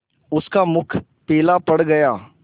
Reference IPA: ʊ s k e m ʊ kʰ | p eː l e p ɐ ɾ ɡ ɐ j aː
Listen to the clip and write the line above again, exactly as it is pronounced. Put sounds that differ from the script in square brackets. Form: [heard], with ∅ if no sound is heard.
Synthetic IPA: ʊ s k [a] m ʊ kʰ | p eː l [a] p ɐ [ɽ] ɡ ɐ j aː